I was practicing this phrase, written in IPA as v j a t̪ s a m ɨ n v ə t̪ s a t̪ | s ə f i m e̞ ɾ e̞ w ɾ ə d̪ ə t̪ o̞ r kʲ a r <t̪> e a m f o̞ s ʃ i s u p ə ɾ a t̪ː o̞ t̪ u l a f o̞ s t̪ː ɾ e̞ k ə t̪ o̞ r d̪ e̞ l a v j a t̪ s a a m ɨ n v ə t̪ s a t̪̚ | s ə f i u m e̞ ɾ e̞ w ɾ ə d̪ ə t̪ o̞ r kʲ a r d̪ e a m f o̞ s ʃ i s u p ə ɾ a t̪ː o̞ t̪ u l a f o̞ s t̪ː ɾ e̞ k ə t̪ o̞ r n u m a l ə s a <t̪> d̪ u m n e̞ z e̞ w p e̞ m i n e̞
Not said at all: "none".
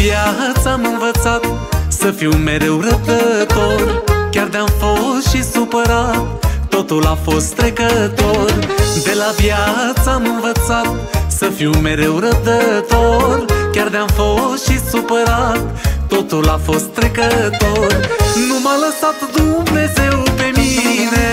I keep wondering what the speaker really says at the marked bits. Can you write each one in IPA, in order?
d̪, t̪

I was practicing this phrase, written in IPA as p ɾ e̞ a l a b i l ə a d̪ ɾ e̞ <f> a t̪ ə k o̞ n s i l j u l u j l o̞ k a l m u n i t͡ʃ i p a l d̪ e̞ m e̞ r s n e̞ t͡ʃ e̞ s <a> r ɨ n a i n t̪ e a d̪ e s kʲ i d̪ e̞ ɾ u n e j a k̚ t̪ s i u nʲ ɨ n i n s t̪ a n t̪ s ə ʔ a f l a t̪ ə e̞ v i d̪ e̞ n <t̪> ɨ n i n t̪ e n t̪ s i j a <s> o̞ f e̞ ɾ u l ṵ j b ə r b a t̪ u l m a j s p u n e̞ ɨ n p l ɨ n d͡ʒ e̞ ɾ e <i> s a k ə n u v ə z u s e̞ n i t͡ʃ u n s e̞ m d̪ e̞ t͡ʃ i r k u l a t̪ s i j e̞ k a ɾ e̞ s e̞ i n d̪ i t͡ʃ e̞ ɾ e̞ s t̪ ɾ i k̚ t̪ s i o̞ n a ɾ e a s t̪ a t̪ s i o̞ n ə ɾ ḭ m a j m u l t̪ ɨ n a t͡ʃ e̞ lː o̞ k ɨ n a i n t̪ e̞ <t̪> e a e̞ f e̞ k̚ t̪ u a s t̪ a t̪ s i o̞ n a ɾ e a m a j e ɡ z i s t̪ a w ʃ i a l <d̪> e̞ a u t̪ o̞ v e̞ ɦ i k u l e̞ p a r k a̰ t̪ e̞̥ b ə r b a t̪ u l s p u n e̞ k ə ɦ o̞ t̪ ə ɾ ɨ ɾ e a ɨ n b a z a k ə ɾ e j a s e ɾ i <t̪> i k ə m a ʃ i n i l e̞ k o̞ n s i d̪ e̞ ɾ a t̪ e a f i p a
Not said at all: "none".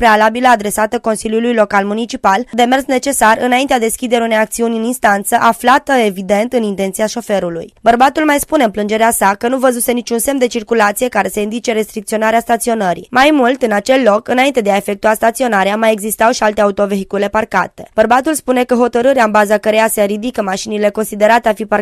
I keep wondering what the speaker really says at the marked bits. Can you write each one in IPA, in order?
s, a, t̪, ʃ, a, d̪, t̪, d̪

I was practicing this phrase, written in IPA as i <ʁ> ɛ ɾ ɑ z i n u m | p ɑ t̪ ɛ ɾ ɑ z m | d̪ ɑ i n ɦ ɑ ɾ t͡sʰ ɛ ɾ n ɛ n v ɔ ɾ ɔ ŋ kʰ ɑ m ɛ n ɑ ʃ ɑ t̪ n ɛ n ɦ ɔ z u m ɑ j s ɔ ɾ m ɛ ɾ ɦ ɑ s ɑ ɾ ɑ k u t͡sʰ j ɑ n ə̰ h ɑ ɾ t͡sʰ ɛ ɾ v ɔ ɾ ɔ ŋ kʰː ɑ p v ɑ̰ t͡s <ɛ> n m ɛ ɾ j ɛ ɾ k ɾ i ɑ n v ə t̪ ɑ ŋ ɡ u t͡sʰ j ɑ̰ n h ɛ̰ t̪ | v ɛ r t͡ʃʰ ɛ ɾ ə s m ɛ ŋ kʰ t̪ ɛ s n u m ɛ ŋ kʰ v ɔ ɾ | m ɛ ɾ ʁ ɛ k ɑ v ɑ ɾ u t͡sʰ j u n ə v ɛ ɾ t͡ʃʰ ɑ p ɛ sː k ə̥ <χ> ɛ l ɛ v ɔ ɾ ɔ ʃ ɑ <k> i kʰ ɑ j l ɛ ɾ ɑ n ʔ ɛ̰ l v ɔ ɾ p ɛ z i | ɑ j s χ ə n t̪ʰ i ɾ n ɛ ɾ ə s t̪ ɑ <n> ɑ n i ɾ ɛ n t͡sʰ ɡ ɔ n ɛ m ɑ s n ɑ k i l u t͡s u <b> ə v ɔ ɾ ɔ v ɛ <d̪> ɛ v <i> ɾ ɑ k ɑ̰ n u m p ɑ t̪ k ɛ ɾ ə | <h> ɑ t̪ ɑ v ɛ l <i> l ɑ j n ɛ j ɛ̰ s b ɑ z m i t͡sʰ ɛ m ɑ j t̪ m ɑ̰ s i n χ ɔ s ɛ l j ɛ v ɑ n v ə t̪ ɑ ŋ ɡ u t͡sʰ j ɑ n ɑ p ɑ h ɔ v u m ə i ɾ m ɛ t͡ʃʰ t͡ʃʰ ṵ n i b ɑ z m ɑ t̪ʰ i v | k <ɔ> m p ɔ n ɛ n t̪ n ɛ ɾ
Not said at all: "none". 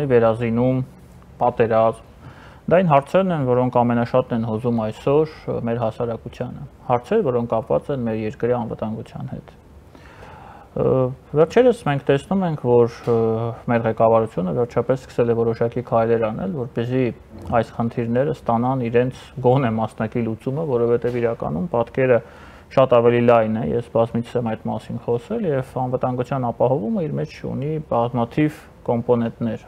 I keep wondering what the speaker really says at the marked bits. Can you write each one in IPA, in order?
v, ɛ, s, k, n, m, t̪, i, ʃ, i, ɔ

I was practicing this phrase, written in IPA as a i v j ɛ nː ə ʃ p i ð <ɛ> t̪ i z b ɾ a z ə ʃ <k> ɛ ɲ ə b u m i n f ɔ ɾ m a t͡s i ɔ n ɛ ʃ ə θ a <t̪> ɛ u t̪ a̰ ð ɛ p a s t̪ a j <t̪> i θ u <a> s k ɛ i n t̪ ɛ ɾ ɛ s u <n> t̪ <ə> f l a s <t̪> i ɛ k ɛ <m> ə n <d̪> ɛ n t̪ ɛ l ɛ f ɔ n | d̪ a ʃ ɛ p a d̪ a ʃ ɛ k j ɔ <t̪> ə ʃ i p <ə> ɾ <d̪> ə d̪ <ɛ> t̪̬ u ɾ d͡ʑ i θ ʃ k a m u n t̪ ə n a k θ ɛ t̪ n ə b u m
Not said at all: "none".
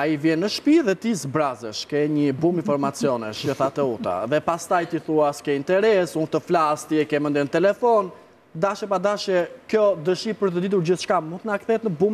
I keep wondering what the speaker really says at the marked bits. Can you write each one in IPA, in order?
ɛ, k, t̪, t̪, a, n, ə, t̪, m, d̪, d̪, ə, t̪, i

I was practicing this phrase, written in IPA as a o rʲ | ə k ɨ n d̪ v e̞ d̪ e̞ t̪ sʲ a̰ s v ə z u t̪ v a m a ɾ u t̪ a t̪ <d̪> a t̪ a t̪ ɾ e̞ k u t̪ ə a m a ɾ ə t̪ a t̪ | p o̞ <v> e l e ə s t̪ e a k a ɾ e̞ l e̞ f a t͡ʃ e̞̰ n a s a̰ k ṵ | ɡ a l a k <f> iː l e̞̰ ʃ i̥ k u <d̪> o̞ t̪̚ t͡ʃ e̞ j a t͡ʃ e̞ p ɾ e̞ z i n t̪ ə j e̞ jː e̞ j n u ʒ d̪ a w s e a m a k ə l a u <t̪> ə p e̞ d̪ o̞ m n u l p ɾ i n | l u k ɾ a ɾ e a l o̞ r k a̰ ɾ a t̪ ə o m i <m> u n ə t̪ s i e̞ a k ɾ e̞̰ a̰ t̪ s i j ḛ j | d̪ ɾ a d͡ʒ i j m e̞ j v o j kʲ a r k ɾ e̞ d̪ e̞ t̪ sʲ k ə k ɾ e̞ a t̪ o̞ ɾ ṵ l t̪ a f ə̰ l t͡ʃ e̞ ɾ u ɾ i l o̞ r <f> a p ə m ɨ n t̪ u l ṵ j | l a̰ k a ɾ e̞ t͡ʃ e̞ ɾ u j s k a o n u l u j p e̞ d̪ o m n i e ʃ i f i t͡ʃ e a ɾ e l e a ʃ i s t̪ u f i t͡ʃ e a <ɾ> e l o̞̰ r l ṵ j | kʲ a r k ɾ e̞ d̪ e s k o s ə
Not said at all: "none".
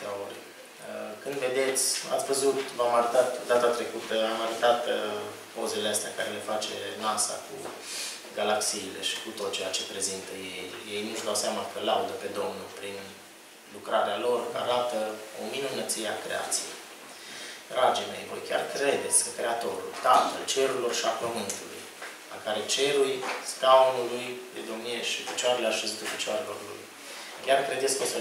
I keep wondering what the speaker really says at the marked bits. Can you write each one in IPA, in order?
d̪, z, s, t̪, d̪, n, ʃ, ɾ

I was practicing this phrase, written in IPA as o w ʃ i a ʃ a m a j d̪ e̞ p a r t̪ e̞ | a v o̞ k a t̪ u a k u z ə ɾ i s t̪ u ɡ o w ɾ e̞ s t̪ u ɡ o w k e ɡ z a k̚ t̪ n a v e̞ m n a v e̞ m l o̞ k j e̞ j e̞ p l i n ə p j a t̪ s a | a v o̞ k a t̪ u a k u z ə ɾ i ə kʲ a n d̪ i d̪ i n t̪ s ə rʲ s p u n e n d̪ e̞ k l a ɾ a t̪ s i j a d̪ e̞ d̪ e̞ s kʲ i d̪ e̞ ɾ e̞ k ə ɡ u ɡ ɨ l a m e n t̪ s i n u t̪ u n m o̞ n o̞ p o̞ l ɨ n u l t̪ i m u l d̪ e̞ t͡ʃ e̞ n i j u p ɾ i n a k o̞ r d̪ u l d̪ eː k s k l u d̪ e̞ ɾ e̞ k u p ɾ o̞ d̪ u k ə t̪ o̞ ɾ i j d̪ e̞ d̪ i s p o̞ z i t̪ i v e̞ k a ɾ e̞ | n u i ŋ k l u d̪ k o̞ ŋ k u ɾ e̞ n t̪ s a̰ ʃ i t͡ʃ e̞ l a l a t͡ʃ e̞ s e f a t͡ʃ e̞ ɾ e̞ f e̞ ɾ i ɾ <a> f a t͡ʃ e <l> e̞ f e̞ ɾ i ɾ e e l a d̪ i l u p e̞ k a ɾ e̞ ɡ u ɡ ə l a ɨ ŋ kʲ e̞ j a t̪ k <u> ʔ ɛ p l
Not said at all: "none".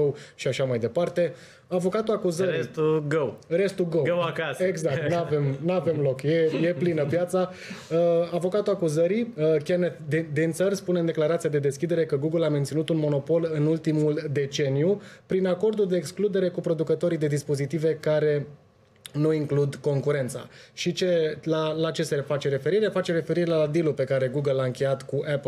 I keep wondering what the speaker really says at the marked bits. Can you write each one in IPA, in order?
e, ɾ, u

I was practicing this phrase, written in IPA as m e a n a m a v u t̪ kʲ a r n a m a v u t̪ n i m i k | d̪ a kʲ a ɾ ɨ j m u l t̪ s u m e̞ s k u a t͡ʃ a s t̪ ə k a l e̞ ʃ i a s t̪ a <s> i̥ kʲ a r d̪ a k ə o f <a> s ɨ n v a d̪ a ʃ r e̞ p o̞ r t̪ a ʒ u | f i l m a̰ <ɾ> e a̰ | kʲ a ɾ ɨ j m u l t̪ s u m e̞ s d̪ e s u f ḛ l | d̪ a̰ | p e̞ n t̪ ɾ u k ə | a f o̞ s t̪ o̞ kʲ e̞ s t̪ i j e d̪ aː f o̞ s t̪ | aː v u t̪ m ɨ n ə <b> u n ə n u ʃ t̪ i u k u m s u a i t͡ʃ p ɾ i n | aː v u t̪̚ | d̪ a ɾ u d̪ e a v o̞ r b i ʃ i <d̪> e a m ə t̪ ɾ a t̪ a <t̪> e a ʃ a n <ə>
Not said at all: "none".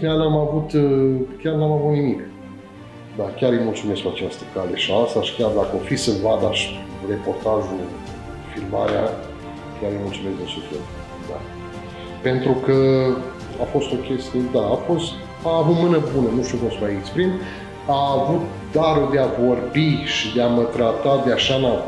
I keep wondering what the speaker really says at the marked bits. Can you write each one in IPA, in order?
ʃ, i, ɾ, b, d̪, d̪, a

